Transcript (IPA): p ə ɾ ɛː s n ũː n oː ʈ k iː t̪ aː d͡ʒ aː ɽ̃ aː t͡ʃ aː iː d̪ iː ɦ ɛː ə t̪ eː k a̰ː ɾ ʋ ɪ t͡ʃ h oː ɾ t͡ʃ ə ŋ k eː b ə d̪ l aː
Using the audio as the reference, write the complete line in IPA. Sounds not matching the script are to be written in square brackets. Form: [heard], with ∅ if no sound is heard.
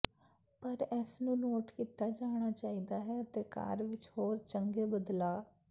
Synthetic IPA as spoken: p ə ɾ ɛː s n ũː n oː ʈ k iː t̪ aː d͡ʒ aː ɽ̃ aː t͡ʃ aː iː d̪ [aː] ɦ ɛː ə t̪ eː k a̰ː ɾ ʋ ɪ t͡ʃ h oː ɾ t͡ʃ ə ŋ [ɡ] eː b ə d̪ l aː

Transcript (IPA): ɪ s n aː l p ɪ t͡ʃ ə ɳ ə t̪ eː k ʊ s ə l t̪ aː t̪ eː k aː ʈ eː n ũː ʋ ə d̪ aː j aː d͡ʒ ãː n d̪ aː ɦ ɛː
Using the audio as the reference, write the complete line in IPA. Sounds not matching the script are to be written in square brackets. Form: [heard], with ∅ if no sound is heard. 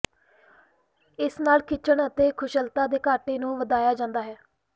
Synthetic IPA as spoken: ɪ s n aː l [k] ɪ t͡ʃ ə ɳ ə t̪ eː [kʰ] ʊ [ʃ] ə l t̪ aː [d̪] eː k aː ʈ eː n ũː ʋ ə d̪ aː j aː d͡ʒ ãː n d̪ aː ɦ ɛː

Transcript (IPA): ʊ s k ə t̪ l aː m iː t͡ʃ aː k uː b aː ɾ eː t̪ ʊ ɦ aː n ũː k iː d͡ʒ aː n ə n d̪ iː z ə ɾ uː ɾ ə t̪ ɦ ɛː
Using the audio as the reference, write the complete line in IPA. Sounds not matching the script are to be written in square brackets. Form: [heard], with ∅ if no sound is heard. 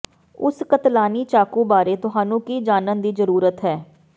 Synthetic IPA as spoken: ʊ s k ə t̪ l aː [n] iː t͡ʃ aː k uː b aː ɾ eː t̪ ʊ ɦ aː n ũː k iː d͡ʒ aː n ə n d̪ iː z ə ɾ uː ɾ ə t̪ ɦ ɛː

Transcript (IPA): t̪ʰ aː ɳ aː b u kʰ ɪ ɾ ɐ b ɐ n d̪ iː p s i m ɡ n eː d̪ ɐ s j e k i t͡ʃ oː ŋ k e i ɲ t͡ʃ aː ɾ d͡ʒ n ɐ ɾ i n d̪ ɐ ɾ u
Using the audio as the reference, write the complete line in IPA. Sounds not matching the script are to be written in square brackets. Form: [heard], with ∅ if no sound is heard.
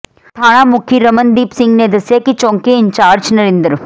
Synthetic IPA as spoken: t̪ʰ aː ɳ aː [m] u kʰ [i] ɾ ɐ [m] ɐ n d̪ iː p s i [ŋ] ɡ n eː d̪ ɐ s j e k i t͡ʃ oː ŋ k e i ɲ t͡ʃ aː ɾ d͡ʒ n ɐ ɾ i n d̪ ɐ ɾ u

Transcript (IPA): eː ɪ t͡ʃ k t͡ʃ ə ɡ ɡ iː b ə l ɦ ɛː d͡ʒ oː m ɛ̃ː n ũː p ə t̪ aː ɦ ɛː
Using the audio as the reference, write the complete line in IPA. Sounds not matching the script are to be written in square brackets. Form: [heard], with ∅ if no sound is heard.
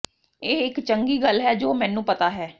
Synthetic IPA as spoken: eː ɪ [∅] k t͡ʃ ə [ŋ] ɡ iː [ɡ] ə l ɦ ɛː d͡ʒ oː m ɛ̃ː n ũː p ə t̪ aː ɦ ɛː

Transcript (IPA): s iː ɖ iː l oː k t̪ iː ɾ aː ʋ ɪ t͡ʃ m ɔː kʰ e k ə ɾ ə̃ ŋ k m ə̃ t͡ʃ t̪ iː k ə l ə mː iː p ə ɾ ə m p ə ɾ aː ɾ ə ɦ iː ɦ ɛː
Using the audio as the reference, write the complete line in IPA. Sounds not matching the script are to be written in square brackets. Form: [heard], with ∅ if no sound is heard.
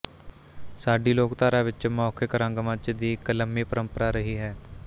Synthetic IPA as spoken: s [aː] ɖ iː l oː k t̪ [aː] ɾ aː ʋ ɪ t͡ʃ m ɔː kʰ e k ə ɾ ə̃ ŋ [ɡ] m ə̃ t͡ʃ [d̪] iː k ə l ə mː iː p ə ɾ ə m p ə ɾ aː ɾ ə ɦ iː ɦ ɛː

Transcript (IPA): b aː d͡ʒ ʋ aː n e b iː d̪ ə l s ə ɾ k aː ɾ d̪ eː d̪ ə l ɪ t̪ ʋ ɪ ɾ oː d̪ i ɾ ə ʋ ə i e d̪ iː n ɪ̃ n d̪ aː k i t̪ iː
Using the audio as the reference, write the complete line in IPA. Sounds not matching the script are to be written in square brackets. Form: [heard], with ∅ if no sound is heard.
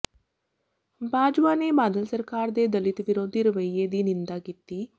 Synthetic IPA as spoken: b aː d͡ʒ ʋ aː n e b [aː] d̪ ə l s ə ɾ k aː ɾ d̪ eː d̪ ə l ɪ t̪ ʋ ɪ ɾ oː d̪ i ɾ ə ʋ ə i e d̪ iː n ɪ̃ n d̪ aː k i t̪ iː

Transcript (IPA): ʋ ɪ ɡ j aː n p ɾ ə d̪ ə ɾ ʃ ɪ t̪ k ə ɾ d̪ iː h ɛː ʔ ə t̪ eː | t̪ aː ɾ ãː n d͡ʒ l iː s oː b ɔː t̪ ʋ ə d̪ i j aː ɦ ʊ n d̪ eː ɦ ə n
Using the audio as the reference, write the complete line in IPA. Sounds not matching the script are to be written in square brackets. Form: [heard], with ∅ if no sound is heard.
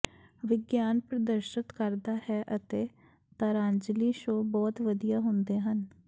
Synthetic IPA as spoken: ʋ ɪ ɡ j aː n p ɾ ə d̪ ə ɾ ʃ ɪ t̪ k ə ɾ d̪ [aː] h ɛː ʔ ə t̪ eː | t̪ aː ɾ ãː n d͡ʒ l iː [ʃ] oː b ɔː t̪ ʋ ə d̪ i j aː ɦ ʊ n d̪ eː ɦ ə n

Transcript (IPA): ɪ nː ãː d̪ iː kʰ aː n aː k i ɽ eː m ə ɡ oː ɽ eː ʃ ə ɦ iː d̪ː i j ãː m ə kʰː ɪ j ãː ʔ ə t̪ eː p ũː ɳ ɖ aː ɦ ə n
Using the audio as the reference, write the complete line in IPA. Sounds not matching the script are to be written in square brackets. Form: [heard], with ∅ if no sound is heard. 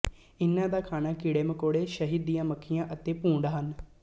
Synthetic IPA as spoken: ɪ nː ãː d̪ [aː] kʰ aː n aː k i ɽ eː m ə [k] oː ɽ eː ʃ ə ɦ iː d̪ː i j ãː m ə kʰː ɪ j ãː ʔ ə t̪ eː p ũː ɳ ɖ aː ɦ ə n

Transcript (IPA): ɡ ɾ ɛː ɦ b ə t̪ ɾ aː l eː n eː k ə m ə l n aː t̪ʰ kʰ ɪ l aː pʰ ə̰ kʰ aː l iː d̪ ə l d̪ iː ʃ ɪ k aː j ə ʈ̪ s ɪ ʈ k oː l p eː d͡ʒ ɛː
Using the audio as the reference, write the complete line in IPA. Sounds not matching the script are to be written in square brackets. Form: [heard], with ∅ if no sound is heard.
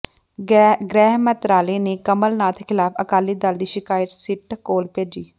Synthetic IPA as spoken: ɡ ɾ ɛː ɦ [m] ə t̪ ɾ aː l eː n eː k ə m ə l n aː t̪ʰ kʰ ɪ l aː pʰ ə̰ [k] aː l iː d̪ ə l d̪ iː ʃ ɪ k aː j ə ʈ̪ s ɪ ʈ k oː l p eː d͡ʒ [iː]

